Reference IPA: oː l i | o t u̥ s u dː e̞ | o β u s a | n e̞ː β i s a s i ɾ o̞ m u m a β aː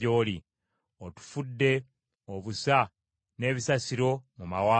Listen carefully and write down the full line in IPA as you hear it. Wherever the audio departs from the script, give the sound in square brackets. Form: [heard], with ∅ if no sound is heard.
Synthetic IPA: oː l i | o t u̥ [f] u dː e̞ | o β u s a | n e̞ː β i s a s i ɾ o̞ m u m a [w] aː